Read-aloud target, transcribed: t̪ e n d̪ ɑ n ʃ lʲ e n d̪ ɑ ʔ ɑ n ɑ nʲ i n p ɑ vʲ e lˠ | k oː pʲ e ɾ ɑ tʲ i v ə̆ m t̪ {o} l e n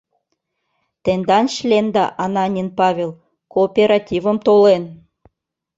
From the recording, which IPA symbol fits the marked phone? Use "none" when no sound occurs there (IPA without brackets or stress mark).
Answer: o